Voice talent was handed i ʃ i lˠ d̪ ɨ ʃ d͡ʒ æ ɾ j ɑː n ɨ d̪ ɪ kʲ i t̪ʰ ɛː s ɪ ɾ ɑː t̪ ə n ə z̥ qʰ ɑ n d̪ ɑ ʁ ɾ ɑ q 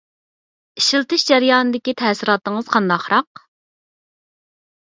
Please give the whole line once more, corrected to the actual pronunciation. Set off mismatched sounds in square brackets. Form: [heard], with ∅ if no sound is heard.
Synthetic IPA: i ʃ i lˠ [t̪] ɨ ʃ d͡ʒ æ ɾ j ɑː n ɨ d̪ ɪ kʲ i t̪ʰ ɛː s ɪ ɾ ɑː t̪ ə [ŋ] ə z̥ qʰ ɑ n d̪ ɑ [χ] ɾ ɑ q